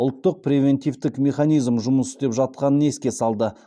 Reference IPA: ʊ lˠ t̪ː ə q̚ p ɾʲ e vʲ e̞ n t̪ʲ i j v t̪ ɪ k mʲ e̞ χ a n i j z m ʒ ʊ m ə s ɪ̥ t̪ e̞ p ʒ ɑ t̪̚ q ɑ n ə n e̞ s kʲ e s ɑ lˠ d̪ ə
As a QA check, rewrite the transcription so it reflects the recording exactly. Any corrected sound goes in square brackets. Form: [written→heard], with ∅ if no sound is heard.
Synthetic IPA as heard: ʊ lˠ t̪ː ə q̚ p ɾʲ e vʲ e̞ n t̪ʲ i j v t̪ ɪ k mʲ e̞ χ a n i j z m ʒ ʊ m ə s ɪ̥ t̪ e̞ p ʒ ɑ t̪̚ q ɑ n ə n e̞ s kʲ e s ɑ lˠ d̪ ə